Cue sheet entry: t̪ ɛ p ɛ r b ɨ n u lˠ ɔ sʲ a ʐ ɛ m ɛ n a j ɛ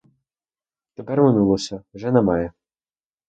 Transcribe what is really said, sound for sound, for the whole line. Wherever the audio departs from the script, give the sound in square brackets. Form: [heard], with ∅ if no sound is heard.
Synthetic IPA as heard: t̪ ɛ p ɛ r [m] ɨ n u lˠ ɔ sʲ [ɐ] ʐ ɛ [n] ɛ [m] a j ɛ